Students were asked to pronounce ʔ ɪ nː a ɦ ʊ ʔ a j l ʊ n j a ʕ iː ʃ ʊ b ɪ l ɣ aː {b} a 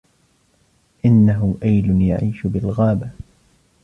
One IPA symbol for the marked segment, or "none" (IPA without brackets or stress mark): b